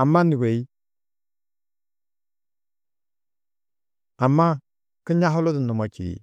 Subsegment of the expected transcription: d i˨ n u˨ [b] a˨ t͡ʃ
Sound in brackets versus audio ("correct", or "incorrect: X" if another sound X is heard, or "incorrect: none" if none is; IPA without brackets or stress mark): incorrect: m